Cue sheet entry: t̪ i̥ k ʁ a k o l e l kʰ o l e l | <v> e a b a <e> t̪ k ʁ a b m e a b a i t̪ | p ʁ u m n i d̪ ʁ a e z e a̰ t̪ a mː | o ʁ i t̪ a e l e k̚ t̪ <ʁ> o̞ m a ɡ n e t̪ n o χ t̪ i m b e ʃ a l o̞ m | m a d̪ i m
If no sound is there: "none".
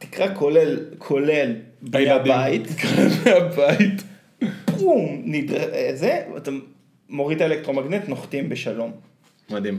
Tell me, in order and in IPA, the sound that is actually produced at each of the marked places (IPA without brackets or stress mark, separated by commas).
b, i, ʁ